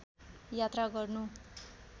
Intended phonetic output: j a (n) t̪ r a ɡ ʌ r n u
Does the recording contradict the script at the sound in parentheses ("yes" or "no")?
yes